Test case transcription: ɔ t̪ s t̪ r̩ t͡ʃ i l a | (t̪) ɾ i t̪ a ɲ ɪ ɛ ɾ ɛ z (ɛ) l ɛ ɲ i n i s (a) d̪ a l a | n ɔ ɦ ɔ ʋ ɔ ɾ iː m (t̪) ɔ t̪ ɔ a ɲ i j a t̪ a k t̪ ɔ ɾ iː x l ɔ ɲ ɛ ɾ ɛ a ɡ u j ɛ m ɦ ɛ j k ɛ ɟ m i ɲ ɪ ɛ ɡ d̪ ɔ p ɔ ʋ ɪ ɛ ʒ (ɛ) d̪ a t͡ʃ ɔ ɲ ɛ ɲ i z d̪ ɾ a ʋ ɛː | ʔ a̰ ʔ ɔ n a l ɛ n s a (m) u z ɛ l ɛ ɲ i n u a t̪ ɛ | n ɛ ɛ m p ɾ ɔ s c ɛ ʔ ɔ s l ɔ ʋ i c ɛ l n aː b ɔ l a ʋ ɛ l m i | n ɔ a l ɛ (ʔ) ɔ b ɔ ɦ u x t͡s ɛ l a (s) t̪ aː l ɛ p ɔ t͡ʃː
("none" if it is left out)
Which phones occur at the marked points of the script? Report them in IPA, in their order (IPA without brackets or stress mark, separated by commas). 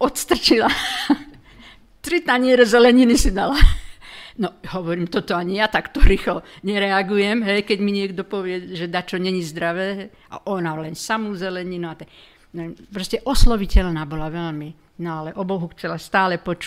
t̪, ɛ, i, t̪, ɛ, m, ʔ, s